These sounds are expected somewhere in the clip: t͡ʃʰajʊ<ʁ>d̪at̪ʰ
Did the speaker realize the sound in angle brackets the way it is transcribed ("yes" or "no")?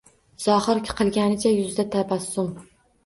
no